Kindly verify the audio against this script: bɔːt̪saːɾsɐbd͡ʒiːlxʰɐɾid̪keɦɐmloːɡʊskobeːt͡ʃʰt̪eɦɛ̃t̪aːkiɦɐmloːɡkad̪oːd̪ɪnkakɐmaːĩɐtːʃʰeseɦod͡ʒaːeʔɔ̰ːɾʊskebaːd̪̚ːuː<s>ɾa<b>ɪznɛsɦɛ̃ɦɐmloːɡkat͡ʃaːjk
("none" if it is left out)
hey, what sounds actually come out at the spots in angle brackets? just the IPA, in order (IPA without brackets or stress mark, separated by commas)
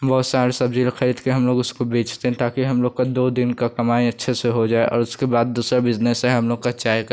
s, b